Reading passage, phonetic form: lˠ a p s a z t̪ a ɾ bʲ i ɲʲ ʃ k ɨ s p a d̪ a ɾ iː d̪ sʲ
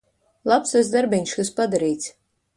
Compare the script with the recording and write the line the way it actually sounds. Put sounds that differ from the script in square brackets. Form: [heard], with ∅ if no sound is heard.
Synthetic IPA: lˠ a p s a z [d̪] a ɾ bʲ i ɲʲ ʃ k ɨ s p a d̪ a ɾ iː [t̪] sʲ